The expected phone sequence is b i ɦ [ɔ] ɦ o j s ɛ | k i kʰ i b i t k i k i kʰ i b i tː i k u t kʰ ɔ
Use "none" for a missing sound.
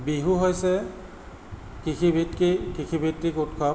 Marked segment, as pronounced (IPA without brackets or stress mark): u